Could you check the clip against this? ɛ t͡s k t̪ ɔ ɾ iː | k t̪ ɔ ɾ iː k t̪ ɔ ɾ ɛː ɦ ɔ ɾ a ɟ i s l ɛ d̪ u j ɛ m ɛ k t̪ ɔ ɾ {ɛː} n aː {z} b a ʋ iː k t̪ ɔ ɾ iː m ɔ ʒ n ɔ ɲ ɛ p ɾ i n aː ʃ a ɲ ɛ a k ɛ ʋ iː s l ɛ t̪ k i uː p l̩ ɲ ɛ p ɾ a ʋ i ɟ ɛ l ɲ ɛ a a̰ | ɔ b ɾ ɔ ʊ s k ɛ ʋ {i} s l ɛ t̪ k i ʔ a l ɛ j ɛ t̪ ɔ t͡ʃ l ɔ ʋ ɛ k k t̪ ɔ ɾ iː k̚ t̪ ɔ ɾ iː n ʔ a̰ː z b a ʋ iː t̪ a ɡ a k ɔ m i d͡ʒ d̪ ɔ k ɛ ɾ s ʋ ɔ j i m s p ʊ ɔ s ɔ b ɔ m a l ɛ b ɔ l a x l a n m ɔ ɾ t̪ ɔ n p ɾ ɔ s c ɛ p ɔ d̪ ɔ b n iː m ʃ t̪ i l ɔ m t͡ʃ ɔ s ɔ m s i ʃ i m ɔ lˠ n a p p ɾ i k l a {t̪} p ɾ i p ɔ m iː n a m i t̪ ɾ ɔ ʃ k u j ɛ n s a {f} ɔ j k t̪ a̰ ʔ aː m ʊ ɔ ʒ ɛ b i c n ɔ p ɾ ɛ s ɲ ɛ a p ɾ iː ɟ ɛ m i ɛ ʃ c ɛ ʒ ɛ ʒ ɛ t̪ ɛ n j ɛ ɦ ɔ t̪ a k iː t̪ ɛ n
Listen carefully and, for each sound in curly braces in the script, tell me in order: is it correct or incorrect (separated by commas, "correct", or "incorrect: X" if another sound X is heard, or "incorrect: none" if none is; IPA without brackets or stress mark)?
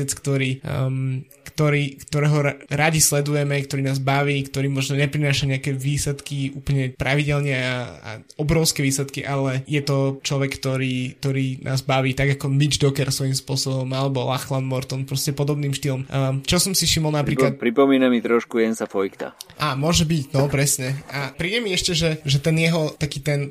incorrect: iː, correct, incorrect: iː, correct, correct